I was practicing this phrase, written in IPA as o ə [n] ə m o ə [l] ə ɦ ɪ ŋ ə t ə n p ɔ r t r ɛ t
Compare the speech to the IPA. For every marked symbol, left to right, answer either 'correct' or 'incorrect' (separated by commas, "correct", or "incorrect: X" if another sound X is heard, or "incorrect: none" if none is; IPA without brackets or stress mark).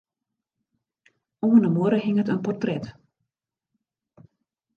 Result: correct, incorrect: ɾ